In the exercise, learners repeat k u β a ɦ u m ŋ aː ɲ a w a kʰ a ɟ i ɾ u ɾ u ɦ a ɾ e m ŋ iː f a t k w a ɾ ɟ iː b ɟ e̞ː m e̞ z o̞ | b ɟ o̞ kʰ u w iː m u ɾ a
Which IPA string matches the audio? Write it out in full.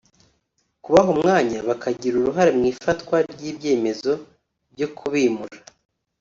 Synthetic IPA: k u β a ɦ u m ŋ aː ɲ a β a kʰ a ɟ i ɾ u ɾ u ɦ a ɾ e m ŋ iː f a t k w a ɾ ɟ iː b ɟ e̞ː m e̞ z o̞ | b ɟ o̞ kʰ u β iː m u ɾ a